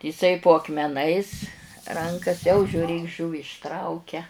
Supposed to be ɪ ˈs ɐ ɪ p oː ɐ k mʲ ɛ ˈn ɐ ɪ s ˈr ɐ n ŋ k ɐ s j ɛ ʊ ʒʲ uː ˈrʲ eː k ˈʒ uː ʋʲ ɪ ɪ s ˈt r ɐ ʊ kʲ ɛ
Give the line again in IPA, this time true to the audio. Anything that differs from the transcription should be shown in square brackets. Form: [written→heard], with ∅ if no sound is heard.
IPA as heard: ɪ ˈs ɐ ɪ p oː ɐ k mʲ ɛ ˈn ɐ ɪ s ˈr ɐ [n→∅] ŋ k ɐ s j ɛ ʊ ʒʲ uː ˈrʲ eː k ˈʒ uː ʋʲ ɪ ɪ [s→ʃ] ˈt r ɐ ʊ kʲ ɛ